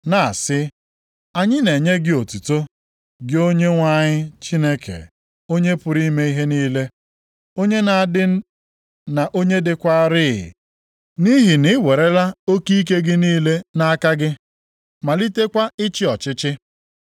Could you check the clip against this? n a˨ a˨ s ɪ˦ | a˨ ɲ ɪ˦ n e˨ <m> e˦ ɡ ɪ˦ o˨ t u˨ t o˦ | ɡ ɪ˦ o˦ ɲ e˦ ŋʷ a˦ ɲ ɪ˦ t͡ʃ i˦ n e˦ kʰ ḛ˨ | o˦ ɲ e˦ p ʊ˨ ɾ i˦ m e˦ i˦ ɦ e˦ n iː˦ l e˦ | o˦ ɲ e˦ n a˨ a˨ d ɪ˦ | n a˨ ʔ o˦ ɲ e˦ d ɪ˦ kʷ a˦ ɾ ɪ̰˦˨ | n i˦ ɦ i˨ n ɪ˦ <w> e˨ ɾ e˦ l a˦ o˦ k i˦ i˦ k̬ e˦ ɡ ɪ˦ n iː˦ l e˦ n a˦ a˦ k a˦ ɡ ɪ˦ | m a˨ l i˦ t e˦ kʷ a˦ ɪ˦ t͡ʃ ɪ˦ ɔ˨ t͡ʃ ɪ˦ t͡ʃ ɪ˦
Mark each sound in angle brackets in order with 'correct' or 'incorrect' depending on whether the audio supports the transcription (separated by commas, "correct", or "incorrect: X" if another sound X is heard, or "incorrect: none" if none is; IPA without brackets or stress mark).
incorrect: ɲ, correct